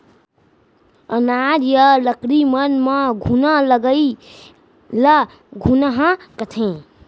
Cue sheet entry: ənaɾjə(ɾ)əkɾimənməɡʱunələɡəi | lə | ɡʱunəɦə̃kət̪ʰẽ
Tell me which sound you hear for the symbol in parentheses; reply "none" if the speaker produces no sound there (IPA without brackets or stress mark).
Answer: l